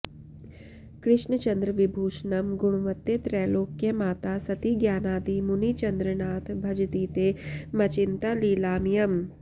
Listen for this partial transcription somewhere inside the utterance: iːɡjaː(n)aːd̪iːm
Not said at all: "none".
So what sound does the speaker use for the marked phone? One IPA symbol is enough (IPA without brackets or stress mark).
n